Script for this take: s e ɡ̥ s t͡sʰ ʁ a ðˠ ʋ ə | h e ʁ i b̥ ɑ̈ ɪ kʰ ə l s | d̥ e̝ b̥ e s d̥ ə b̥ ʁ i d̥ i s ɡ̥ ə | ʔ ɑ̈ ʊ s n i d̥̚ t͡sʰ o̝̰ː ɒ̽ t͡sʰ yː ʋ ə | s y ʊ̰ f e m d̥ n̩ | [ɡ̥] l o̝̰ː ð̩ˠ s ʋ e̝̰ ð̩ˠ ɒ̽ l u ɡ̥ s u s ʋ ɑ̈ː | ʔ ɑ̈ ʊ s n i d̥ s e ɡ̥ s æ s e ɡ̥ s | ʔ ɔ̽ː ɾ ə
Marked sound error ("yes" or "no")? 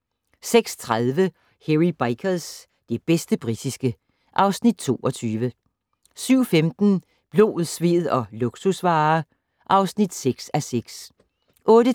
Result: yes